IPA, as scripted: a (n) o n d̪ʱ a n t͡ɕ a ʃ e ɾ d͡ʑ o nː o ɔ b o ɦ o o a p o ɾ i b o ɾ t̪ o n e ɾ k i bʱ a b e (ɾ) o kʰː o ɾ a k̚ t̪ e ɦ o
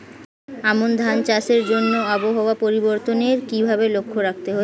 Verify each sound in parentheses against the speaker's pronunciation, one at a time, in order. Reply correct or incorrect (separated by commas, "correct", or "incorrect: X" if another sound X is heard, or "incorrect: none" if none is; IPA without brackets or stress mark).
incorrect: m, incorrect: l